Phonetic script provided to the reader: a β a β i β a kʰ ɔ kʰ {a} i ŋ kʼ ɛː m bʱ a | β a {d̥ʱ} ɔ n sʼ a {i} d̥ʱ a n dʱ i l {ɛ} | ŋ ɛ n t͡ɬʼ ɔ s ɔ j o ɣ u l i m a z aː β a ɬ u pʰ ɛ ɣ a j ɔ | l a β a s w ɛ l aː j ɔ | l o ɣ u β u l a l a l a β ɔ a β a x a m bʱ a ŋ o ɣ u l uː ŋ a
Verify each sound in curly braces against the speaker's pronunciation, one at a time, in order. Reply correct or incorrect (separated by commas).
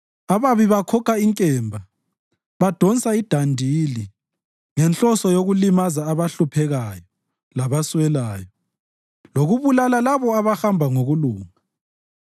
correct, correct, correct, incorrect